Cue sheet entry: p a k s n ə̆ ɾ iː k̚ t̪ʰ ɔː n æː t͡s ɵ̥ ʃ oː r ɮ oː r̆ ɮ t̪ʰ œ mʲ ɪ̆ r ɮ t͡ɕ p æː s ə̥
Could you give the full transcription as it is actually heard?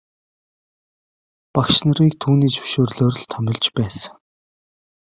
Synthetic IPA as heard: p a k ʃ n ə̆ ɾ iː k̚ t̪ʰ uː n iː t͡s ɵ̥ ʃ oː r ɮ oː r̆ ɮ t̪ʰ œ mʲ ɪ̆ ɮ t͡ɕ p æː s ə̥